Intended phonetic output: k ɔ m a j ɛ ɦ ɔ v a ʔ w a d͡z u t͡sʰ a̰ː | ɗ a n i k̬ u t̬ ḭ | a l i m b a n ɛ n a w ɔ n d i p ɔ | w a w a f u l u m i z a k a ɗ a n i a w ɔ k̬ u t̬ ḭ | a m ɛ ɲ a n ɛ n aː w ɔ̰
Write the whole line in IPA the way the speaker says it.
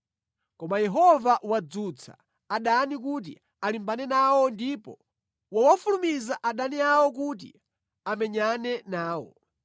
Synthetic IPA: k ɔ m a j ɛ ɦ ɔ v a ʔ w a d͡z u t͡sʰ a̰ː | ɗ a n i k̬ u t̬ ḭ | a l i m b a n ɛ n a w ɔ n d i p ɔ | w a w a f u l u m i z a ʔ a ɗ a n i a w ɔ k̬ u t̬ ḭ | a m ɛ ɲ a n ɛ n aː w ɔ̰